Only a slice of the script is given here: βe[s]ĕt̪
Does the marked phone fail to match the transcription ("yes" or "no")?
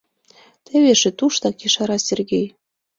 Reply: yes